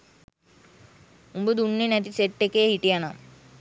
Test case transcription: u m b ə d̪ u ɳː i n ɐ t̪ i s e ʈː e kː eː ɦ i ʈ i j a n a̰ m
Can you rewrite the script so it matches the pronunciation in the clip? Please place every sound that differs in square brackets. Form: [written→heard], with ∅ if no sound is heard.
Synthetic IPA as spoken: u m b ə d̪ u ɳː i n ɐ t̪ i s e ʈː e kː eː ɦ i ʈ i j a n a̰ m